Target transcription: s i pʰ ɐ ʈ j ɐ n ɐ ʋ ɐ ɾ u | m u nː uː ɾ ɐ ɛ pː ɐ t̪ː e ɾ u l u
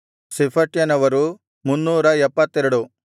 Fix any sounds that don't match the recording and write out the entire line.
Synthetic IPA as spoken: s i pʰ ɐ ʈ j ɐ n ɐ ʋ ɐ ɾ u | m u nː uː ɾ ɐ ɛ pː ɐ t̪ː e ɾ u ɽ u